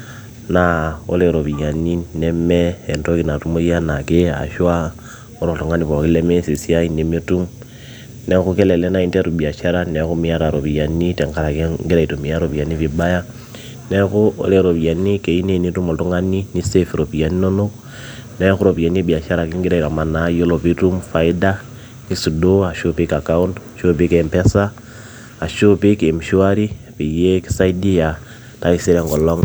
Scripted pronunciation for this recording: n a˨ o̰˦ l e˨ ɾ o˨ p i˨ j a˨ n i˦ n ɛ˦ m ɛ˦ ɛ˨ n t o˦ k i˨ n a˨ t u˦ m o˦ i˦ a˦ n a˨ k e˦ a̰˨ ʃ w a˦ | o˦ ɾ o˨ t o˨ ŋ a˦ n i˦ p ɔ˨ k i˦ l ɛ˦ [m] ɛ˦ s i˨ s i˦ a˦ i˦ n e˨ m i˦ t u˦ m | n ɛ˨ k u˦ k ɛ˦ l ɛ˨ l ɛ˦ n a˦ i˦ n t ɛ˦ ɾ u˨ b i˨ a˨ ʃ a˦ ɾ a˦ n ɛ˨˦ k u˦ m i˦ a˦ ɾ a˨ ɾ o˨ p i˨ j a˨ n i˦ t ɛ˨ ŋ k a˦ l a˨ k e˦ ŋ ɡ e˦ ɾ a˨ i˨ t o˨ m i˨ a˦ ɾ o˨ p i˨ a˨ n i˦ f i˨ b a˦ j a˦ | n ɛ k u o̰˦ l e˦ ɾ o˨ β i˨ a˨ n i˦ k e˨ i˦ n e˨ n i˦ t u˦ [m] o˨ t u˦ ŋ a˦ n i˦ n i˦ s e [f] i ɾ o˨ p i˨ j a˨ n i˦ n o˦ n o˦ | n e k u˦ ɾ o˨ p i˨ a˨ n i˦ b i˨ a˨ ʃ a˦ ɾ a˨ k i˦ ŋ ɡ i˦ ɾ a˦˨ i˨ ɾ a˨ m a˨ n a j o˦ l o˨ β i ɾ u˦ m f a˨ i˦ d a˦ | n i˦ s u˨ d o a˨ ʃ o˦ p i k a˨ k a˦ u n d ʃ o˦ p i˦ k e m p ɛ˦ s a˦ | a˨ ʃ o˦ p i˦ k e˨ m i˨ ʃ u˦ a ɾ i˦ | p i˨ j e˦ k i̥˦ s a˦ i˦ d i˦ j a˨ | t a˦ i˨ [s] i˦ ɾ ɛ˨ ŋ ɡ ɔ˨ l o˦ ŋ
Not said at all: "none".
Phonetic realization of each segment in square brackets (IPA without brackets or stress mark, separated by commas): m, m, f, s